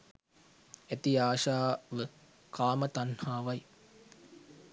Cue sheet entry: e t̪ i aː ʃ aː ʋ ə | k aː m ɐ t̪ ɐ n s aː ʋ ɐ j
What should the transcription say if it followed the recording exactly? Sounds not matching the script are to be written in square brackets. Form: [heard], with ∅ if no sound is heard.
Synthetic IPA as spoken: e t̪ i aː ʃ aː ʋ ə | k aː m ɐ t̪ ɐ n [h] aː ʋ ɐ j